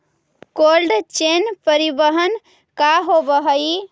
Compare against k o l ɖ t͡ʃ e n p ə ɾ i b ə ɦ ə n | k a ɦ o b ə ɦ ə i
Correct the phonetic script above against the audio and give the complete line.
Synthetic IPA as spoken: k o l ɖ t͡ʃ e n p ə ɾ i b ə ɦ ə n | k a ɦ o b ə ɦ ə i